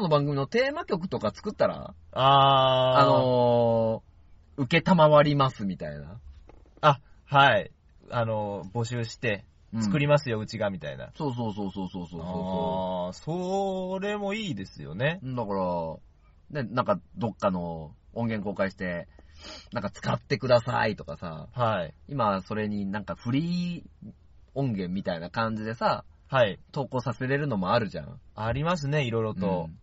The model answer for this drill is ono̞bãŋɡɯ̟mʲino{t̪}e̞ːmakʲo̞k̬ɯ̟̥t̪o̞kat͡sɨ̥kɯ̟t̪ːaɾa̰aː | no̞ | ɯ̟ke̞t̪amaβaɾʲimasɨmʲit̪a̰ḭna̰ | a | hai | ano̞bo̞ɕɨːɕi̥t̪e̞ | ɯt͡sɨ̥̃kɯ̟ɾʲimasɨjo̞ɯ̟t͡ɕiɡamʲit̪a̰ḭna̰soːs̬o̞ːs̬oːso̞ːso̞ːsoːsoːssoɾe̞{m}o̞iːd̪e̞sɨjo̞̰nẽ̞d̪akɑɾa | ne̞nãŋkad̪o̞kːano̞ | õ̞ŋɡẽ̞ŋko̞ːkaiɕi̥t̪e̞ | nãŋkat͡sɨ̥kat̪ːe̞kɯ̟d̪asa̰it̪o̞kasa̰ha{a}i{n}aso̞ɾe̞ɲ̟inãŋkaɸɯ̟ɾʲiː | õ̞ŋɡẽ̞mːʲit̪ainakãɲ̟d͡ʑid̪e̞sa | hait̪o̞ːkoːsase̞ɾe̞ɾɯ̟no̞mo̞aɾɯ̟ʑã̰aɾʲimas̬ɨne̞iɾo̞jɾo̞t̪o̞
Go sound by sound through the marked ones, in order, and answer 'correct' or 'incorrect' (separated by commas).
correct, correct, incorrect, incorrect